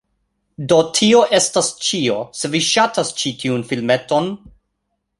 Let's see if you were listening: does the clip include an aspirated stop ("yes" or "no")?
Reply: yes